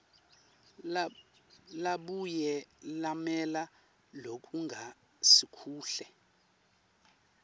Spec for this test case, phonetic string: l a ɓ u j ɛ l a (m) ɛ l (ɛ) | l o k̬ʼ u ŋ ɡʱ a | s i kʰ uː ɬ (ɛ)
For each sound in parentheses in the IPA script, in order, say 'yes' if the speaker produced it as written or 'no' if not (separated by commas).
yes, no, yes